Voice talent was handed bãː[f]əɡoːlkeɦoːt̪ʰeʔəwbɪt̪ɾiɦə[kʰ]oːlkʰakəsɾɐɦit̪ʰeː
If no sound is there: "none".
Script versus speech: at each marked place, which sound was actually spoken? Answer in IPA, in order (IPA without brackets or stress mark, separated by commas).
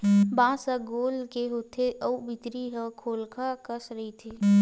s, kʰ